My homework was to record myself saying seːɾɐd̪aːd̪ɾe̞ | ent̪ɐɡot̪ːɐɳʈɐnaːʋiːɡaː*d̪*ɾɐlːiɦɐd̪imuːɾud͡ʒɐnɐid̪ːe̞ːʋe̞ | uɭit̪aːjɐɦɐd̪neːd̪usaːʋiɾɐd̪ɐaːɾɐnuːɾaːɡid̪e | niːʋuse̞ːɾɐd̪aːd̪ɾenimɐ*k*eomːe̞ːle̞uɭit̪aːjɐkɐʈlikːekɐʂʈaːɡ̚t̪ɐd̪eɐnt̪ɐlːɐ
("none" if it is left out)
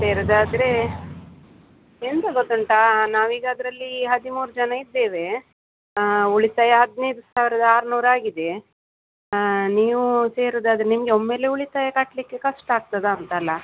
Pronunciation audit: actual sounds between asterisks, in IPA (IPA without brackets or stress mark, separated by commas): d̪, ɡ